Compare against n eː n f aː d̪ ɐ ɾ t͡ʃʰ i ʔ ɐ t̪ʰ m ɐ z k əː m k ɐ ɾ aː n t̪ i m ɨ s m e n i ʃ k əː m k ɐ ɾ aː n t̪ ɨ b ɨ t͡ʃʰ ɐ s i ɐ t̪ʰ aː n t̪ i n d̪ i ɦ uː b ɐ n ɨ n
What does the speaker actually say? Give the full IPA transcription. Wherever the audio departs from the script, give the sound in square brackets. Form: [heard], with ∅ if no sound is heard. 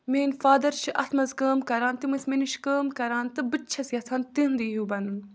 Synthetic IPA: [m] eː n f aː d̪ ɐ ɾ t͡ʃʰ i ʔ ɐ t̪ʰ m ɐ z k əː m k ɐ ɾ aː n t̪ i m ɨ s m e n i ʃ k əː m k ɐ ɾ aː n t̪ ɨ b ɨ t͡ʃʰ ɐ s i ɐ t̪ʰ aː n t̪ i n d̪ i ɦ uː b ɐ n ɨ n